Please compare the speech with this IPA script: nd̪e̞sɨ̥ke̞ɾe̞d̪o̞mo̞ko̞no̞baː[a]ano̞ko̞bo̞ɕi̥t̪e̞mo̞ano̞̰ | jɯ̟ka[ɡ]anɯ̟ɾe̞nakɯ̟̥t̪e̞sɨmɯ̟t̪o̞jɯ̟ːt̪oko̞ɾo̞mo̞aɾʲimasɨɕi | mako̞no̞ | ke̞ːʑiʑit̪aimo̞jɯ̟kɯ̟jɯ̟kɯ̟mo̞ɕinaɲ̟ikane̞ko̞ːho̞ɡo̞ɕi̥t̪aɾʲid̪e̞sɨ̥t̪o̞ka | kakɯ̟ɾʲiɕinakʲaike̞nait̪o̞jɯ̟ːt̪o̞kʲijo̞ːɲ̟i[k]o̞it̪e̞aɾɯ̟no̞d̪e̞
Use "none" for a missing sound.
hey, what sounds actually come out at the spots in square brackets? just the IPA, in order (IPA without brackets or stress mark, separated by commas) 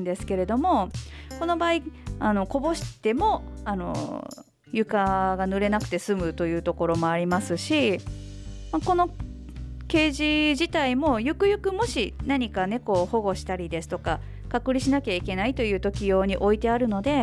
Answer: i, ɡ, ʔ